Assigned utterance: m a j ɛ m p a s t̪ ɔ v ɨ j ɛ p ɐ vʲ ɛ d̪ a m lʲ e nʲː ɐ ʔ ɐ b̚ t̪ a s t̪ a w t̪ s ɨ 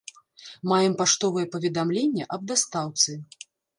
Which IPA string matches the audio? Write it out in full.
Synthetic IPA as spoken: m a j ɛ m p a ʂ t̪ ɔ v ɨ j ɛ p ɐ vʲ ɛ d̪ a m lʲ e nʲː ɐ ʔ ɐ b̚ d̪ a s t̪ a w t̪ s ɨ